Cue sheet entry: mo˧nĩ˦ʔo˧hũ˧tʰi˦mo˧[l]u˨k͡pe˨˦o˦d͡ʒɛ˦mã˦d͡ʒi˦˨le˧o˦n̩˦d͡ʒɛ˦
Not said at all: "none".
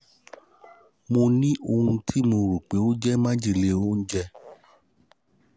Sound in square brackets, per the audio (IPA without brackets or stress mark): ɾ